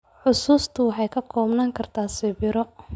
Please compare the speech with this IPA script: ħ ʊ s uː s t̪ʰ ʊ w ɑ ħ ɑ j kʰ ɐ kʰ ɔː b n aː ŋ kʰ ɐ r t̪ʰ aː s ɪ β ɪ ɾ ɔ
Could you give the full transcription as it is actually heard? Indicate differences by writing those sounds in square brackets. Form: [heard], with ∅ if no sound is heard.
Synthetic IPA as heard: ħ ʊ s uː s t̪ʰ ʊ w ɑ ħ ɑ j kʰ ɐ kʰ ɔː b n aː ŋ kʰ ɐ r t̪ʰ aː s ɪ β ɪ ɾ ɔ

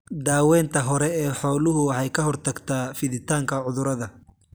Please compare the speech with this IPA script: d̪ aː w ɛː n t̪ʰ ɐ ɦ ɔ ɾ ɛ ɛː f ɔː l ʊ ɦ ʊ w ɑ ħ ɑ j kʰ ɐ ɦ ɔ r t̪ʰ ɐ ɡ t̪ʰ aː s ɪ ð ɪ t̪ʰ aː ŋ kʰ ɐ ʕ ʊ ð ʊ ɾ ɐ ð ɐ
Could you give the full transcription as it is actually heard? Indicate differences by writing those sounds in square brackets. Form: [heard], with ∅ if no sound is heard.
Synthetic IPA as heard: d̪ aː w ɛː n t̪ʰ ɐ ɦ ɔ ɾ ɛ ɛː [ħ] ɔː l ʊ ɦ ʊ w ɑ ħ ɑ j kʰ ɐ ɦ ɔ r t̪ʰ ɐ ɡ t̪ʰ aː [f] ɪ ð ɪ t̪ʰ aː ŋ kʰ ɐ ʕ ʊ ð ʊ ɾ ɐ ð ɐ

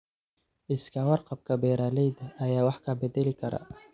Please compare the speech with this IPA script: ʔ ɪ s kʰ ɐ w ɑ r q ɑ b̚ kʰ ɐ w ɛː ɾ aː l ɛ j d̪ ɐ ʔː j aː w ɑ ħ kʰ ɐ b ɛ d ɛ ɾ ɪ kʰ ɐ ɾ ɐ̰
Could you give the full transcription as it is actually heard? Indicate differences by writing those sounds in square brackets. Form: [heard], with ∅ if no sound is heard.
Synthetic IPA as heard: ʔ ɪ s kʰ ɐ w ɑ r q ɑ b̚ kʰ ɐ [b] ɛː ɾ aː l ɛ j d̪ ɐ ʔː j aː w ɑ ħ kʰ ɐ b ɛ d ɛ [l] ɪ kʰ ɐ ɾ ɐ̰

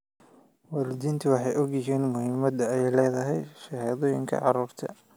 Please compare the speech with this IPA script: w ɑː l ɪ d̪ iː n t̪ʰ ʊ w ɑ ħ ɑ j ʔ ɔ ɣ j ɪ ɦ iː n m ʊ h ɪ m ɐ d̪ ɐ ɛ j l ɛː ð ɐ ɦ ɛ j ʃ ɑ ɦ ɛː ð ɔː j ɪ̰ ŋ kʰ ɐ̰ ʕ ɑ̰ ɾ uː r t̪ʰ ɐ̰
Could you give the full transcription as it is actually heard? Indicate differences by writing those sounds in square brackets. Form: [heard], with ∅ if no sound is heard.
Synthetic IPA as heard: w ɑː l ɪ d̪ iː n t̪ʰ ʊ w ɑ ħ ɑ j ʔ ɔ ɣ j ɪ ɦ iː n m ʊ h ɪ m ɐ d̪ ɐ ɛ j l ɛː ð ɐ ɦ ɛ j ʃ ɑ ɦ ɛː ð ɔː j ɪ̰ ŋ kʰ ɐ̰ ʕ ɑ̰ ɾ uː r t̪ʰ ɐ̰

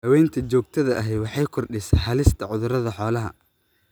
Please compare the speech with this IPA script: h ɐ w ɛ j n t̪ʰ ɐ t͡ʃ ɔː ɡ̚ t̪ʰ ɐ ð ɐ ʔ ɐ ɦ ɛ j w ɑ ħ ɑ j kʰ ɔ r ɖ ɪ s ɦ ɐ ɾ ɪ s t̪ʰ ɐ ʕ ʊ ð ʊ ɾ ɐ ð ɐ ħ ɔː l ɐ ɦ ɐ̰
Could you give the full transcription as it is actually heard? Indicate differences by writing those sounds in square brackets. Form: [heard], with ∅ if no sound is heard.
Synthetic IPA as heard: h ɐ w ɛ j n t̪ʰ ɐ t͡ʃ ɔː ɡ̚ t̪ʰ ɐ ð ɐ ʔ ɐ ɦ ɛ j w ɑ ħ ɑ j kʰ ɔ r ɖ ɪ s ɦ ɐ [l] ɪ s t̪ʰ ɐ ʕ ʊ ð ʊ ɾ ɐ ð ɐ ħ ɔː l ɐ ɦ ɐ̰

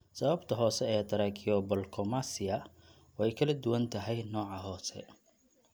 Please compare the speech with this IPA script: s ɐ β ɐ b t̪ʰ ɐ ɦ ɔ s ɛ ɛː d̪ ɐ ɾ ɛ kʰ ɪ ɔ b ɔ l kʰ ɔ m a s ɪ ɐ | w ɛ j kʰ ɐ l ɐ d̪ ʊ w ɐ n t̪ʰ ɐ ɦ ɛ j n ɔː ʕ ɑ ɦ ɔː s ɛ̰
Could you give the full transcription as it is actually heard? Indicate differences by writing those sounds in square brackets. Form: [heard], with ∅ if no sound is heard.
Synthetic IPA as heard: s ɐ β ɐ b t̪ʰ ɐ ɦ [ɔː] s ɛ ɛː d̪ ɐ ɾ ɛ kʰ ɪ ɔ b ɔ l kʰ ɔ m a s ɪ ɐ | w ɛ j kʰ ɐ l ɐ d̪ ʊ w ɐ n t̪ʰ ɐ ɦ ɛ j n ɔː ʕ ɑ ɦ ɔː s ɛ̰

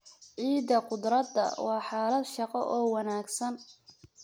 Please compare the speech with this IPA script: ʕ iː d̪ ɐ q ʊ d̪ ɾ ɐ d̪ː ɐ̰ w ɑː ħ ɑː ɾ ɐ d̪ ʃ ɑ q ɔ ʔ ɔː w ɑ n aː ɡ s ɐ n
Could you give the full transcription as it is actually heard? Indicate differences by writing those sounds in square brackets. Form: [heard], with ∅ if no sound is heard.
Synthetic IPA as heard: ʕ iː d̪ ɐ q ʊ d̪ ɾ ɐ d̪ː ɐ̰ w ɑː ħ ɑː [l] ɐ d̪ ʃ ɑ q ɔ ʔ ɔː w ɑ n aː ɡ s ɐ n

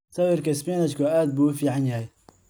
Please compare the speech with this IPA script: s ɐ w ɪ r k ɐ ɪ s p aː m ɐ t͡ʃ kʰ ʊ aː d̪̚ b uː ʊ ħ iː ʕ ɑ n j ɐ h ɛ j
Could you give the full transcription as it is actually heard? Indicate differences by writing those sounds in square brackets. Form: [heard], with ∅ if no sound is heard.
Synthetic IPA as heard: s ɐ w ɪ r k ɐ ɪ s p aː [n] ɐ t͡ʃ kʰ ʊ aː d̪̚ b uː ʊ [f] iː ʕ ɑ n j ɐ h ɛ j

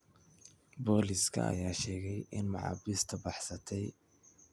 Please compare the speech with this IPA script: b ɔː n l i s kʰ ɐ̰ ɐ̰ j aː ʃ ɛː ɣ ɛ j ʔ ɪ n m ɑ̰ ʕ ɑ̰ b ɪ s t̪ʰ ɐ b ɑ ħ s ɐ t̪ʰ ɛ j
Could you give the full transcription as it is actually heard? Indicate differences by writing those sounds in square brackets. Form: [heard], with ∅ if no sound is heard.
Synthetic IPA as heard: b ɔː [∅] l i s kʰ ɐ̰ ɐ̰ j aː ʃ ɛː ɣ ɛ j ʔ ɪ n m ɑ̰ ʕ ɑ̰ b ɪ s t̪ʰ ɐ b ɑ ħ s ɐ t̪ʰ ɛ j

